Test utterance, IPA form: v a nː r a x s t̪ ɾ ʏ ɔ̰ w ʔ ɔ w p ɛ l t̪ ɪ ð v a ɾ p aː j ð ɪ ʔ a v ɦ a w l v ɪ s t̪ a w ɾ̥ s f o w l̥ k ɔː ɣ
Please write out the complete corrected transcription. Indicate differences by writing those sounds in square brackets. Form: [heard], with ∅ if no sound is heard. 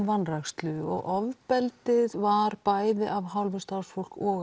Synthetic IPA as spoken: v a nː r a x s t̪ [l] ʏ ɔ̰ [ɣ] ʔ ɔ [v] p ɛ l t̪ ɪ ð v a ɾ p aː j ð ɪ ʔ a v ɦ a w l v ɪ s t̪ a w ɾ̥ s f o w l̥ k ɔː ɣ